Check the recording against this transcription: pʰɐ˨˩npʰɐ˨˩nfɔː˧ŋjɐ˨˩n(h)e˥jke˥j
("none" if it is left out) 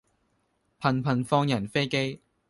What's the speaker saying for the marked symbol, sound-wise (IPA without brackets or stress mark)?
f